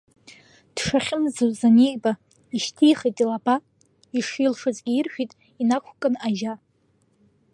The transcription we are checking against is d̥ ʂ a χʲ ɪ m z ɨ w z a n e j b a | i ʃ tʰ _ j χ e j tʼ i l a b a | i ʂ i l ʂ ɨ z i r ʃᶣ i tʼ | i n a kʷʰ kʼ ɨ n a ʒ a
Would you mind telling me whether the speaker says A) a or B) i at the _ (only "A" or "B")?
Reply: B